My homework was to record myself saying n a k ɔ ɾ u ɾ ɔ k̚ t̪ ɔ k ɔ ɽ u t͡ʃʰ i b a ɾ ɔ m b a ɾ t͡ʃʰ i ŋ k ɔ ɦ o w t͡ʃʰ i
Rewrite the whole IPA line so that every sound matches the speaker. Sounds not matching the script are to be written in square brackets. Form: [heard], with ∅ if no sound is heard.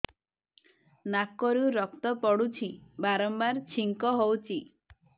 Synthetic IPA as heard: n a k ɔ ɾ u ɾ ɔ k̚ t̪ ɔ [p] ɔ ɽ u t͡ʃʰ i b a ɾ ɔ m b a ɾ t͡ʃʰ i ŋ k ɔ ɦ o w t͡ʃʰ i